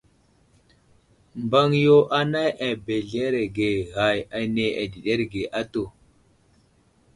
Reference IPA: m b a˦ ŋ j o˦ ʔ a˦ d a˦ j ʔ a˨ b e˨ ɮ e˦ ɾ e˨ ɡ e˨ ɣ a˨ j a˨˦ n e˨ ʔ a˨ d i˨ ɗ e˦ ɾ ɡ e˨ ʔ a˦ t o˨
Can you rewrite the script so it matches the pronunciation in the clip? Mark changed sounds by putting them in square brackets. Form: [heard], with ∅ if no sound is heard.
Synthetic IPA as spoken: m b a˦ ŋ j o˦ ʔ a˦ [n] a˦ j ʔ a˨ b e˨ ɮ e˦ ɾ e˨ ɡ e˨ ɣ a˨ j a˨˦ n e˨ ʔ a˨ d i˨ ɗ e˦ ɾ ɡ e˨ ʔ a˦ t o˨